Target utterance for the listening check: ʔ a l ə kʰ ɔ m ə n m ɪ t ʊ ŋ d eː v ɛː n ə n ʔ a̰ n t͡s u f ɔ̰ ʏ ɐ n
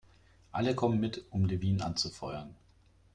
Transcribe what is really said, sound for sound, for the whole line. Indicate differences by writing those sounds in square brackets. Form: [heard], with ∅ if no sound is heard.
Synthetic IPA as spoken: ʔ a l ə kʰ ɔ m ə n m ɪ t ʊ [m] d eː v [iː] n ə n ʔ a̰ n t͡s u f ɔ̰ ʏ ɐ n